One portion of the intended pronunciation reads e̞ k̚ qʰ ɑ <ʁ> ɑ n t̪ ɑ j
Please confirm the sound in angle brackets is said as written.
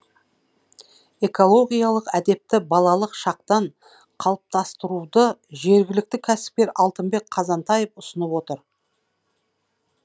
no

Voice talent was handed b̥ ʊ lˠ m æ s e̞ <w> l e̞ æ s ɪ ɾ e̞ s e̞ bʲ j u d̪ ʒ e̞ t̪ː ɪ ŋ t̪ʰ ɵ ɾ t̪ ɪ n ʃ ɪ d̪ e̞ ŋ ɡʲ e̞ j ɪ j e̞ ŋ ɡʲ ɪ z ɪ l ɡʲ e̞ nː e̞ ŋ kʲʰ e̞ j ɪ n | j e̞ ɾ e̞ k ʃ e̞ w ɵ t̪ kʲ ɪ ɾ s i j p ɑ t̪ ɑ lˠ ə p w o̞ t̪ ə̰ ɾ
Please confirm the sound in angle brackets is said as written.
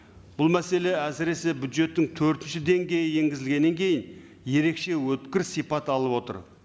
no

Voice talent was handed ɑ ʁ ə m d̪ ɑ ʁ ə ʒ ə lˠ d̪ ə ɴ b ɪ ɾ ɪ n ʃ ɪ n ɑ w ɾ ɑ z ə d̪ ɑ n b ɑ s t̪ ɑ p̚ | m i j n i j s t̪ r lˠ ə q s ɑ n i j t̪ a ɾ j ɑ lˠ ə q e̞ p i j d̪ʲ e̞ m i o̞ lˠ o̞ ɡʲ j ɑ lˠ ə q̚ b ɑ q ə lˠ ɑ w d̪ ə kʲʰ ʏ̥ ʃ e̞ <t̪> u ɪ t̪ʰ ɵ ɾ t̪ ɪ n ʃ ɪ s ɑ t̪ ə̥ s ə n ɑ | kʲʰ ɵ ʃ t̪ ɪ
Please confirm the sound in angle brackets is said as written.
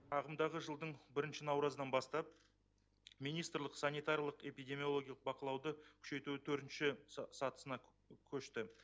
yes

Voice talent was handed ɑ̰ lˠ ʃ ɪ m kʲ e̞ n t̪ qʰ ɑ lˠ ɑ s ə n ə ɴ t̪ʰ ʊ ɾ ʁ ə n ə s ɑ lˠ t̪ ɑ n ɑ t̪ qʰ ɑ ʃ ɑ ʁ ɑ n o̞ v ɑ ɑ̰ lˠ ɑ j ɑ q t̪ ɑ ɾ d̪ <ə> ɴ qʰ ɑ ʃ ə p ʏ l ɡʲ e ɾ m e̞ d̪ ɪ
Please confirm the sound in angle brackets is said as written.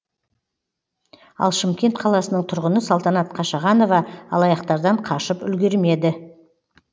no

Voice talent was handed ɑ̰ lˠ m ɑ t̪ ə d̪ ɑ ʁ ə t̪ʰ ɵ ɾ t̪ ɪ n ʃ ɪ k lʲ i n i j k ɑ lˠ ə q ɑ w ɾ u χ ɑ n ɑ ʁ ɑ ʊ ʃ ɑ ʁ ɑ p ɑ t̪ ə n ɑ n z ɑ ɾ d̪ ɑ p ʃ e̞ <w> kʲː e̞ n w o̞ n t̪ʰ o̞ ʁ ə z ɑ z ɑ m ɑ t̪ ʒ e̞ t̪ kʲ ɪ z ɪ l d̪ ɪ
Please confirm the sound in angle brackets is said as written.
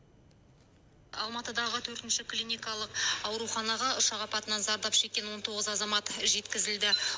no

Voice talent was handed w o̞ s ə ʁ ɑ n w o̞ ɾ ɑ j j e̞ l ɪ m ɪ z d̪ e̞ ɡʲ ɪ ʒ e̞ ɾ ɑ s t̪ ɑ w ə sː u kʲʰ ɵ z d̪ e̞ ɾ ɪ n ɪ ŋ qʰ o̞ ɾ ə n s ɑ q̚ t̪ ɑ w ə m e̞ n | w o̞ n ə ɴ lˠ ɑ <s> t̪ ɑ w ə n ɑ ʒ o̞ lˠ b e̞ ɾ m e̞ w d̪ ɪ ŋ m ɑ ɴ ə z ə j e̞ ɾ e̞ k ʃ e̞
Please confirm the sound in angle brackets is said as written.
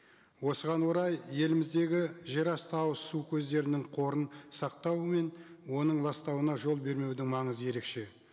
yes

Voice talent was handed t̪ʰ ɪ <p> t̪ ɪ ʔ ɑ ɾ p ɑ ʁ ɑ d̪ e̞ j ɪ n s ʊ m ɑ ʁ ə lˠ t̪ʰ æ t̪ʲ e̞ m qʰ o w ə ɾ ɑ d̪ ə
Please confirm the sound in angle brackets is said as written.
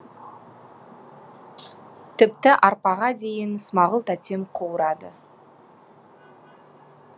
yes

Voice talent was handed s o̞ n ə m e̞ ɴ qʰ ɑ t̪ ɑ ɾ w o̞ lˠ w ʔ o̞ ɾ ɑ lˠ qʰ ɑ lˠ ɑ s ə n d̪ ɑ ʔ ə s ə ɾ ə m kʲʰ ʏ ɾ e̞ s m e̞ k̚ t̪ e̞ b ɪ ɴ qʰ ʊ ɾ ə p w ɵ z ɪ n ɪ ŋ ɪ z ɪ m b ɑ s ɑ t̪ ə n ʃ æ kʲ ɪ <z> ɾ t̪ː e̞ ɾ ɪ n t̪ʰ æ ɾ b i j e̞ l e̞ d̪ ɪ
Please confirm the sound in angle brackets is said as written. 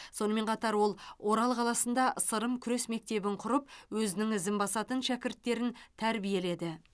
no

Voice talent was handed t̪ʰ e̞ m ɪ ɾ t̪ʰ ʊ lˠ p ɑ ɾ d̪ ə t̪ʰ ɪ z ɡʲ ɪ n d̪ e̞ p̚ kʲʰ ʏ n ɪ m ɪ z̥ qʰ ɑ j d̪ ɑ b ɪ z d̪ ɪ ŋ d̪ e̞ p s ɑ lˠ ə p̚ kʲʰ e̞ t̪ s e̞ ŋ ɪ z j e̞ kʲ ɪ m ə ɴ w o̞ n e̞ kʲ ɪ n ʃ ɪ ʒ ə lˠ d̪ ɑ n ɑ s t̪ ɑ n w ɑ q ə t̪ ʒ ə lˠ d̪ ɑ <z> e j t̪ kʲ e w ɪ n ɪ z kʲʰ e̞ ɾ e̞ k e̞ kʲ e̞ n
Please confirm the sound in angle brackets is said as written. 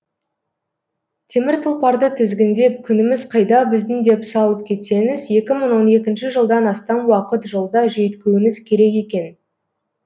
no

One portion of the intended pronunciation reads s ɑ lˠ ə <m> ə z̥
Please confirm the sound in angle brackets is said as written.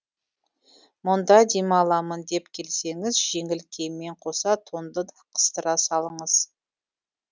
no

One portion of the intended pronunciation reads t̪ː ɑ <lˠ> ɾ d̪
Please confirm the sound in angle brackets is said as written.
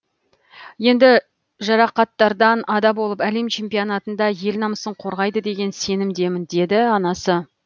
no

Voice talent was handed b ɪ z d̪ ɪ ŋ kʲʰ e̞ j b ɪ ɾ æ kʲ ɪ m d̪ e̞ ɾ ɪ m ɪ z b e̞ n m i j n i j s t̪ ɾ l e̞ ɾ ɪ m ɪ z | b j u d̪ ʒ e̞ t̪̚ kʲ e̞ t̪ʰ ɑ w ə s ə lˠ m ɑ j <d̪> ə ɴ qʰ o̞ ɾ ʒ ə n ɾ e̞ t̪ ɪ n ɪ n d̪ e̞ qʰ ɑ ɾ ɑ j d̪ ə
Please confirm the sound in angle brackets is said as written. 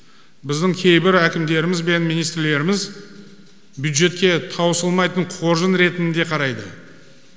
no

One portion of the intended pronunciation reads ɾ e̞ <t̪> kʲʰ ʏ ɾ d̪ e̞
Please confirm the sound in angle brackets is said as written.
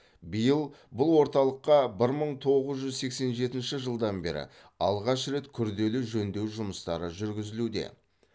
yes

